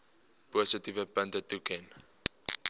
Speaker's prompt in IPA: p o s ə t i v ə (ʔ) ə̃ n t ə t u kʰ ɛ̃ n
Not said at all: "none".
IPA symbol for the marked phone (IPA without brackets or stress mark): p